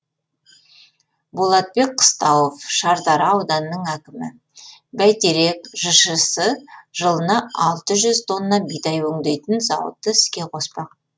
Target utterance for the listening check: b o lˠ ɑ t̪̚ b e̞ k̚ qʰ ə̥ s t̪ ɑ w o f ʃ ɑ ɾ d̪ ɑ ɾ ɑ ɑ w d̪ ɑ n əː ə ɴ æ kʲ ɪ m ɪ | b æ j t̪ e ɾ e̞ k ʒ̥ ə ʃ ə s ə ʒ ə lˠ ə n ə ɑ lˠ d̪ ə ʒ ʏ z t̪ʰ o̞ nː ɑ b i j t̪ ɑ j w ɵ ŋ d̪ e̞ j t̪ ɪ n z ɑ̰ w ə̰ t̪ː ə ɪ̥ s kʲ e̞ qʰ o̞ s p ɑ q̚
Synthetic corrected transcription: b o lˠ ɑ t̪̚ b e̞ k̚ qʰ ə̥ s t̪ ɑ w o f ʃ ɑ ɾ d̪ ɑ ɾ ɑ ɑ w d̪ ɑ n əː ə ɴ æ kʲ ɪ m ɪ | b æ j t̪ e ɾ e̞ k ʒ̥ ə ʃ ə s ə ʒ ə lˠ ə n ɑ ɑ lˠ t̪ ə ʒ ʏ z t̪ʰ o̞ nː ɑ b i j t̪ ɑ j w ɵ ŋ d̪ e̞ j t̪ ɪ n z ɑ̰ w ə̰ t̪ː ə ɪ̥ s kʲ e̞ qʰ o̞ s p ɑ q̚